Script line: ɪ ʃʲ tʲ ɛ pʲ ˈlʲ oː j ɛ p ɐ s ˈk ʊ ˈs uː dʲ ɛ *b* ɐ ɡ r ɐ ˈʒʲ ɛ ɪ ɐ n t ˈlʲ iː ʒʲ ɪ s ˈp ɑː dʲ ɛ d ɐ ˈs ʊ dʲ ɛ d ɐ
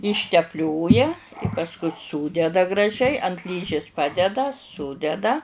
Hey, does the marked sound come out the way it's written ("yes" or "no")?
no